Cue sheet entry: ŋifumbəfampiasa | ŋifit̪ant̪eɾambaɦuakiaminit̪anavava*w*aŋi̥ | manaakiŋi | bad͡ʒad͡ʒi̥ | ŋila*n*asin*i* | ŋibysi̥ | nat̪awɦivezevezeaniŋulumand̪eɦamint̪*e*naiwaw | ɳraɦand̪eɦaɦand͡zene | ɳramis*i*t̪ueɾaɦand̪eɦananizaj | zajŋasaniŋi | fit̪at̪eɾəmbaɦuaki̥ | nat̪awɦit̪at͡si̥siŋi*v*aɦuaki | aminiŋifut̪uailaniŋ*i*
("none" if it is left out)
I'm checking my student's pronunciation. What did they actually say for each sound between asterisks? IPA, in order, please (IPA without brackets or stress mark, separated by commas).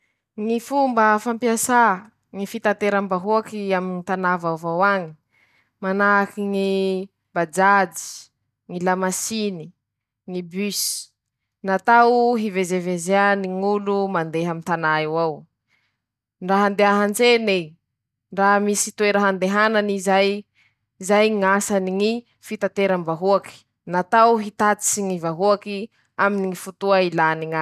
w, m, i, a, i, v, a